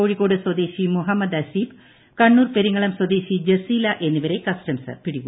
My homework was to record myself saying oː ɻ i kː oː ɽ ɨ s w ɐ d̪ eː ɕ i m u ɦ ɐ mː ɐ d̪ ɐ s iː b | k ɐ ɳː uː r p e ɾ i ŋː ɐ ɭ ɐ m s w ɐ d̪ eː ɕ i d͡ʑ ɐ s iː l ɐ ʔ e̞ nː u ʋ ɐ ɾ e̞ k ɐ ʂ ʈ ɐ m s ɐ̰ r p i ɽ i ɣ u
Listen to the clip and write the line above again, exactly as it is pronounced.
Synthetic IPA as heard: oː ɻ i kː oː ɽ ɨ s w ɐ d̪ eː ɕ i m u ɦ ɐ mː ɐ d̪ ɐ s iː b | k ɐ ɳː uː r p e ɾ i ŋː ɐ ɭ ɐ m s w ɐ d̪ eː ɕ i d͡ʑ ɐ s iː l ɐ ʔ e̞ nː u ʋ ɐ ɾ e̞ k ɐ s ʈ ɐ m s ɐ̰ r p i ɽ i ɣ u

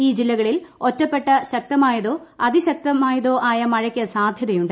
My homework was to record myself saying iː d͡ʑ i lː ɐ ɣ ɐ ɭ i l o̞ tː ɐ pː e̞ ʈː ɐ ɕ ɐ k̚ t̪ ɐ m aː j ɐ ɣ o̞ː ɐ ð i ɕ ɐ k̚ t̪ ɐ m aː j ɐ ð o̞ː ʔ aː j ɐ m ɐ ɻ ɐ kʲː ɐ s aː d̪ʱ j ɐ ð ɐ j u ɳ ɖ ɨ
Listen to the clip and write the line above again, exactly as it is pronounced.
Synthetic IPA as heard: iː d͡ʑ i lː ɐ ɣ ɐ ɭ i l o̞ tː ɐ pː e̞ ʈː ɐ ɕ ɐ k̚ t̪ ɐ m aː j ɐ ð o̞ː ɐ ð i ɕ ɐ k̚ t̪ ɐ m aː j ɐ ð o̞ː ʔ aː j ɐ m ɐ ɻ ɐ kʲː ɐ s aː d̪ʱ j ɐ ð ɐ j u ɳ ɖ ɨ

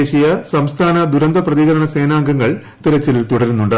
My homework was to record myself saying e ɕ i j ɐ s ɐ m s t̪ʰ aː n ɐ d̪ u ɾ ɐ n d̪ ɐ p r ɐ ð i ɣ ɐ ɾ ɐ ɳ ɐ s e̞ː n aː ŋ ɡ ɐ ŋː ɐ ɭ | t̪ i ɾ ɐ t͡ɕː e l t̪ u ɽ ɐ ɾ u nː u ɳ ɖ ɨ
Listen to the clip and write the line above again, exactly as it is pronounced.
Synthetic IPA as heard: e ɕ i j ɐ s ɐ m s t̪ʰ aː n ɐ d̪ u ɾ ɐ n d̪ ɐ p r ɐ ð i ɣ ɐ ɾ ɐ ɳ ɐ s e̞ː n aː ŋ ɡ ɐ ŋː ɐ ɭ | t̪ i ɾ ɐ t͡ɕː i l t̪ u ɽ ɐ ɾ u nː u ɳ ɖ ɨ

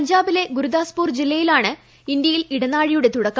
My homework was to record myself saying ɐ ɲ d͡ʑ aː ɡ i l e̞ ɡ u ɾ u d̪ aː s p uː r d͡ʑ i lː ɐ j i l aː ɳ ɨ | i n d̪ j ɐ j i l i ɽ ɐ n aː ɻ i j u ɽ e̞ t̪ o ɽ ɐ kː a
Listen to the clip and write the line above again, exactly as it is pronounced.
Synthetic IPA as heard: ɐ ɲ d͡ʑ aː b i l e̞ ɡ u ɾ u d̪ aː s p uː r d͡ʑ i lː ɐ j i l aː ɳ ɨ | i n d̪ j ɐ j i l i ɽ ɐ n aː ɻ i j u ɽ e̞ t̪ u ɽ ɐ kː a

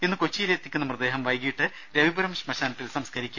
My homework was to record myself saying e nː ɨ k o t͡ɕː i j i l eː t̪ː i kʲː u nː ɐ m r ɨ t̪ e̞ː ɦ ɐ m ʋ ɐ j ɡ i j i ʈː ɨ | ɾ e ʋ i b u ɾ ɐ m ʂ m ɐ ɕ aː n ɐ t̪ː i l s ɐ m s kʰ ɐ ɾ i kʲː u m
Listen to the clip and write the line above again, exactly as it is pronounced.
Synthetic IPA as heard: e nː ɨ k o t͡ɕː i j i l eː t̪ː i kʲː u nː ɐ m r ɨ d̪ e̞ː ɦ ɐ m ʋ ɐ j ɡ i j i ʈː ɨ | ɾ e ʋ i b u ɾ ɐ m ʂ m ɐ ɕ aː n ɐ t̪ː i l s ɐ m s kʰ ɐ ɾ i kʲː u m

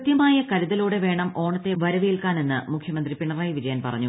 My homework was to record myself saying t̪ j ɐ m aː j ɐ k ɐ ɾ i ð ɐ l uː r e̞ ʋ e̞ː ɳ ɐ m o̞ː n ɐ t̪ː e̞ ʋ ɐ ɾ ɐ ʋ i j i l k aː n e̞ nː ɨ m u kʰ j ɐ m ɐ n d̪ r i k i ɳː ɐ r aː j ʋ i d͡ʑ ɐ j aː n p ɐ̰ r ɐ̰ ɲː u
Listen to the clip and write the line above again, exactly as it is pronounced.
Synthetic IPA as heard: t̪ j ɐ m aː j ɐ k ɐ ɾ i ð ɐ l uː ɽ e̞ ʋ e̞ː ɳ ɐ m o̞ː ɳ ɐ t̪ː e̞ ʋ ɐ ɾ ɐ ʋ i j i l k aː n e̞ nː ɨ m u kʰ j ɐ m ɐ n d̪ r i p i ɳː ɐ r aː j ʋ i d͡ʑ ɐ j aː n p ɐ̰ r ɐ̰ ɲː u

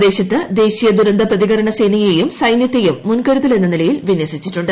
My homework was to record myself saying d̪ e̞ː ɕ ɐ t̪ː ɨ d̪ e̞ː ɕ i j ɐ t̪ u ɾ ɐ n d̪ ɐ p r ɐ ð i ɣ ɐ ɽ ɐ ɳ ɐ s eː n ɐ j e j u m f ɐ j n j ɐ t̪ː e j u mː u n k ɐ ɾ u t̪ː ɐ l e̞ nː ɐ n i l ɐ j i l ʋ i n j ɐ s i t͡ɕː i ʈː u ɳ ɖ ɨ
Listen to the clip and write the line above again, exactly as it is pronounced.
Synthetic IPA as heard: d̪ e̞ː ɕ ɐ t̪ː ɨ d̪ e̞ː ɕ i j ɐ d̪ u ɾ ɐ n d̪ ɐ p r ɐ ð i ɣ ɐ ɾ ɐ ɳ ɐ s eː n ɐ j e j u m s ɐ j n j ɐ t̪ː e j u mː u n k ɐ ɾ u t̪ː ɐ l e̞ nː ɐ n i l ɐ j i l ʋ i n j ɐ s i t͡ɕː i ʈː u ɳ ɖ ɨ

